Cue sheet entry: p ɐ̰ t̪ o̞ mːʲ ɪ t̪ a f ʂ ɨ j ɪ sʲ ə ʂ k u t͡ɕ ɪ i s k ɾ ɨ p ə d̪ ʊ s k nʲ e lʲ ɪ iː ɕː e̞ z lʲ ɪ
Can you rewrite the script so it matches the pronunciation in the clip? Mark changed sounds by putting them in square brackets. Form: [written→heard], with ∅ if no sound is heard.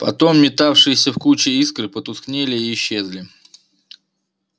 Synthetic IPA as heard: p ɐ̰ t̪ o̞ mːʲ ɪ t̪ a f ʂ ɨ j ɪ sʲ ə [ʂ→f] k u t͡ɕ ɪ i s k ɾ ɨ p ə [d̪→t̪] ʊ s k nʲ e lʲ ɪ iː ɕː e̞ z lʲ ɪ